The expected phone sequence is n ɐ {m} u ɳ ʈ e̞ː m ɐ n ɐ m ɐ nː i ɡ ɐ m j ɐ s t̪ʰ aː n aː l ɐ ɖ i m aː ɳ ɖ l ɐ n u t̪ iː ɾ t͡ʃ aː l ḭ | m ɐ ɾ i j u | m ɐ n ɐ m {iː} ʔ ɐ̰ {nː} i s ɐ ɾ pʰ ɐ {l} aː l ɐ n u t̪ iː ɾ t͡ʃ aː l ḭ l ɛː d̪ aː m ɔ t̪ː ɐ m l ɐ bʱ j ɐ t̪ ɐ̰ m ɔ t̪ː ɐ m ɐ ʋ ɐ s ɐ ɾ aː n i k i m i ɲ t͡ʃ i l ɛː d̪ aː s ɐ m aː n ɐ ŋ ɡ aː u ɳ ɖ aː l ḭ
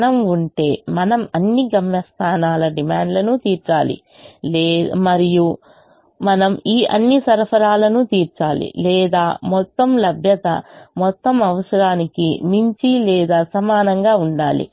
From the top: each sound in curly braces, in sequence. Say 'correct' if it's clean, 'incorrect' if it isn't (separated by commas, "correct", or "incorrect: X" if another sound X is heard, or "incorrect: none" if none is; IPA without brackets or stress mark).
correct, correct, correct, incorrect: ɾ